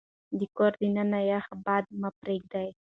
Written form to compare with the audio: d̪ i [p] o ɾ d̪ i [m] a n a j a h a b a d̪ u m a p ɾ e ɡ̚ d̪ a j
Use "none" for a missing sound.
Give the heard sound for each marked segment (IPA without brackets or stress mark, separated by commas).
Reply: k, n